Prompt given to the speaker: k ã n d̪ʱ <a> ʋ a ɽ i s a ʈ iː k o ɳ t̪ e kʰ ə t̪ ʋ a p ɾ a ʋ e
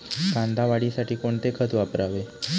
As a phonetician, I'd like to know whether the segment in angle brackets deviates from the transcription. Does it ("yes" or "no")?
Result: no